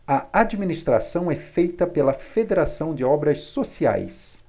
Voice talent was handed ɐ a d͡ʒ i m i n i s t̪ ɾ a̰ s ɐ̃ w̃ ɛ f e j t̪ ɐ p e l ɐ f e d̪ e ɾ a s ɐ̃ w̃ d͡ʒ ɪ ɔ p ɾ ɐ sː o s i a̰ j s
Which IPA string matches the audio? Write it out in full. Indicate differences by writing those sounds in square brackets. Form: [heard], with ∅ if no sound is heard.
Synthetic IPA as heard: ɐ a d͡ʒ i m i n i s t̪ ɾ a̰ s ɐ̃ w̃ ɛ f e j t̪ ɐ p e l ɐ f e d̪ e ɾ a s ɐ̃ w̃ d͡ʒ ɪ ɔ [b] ɾ ɐ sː o s i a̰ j s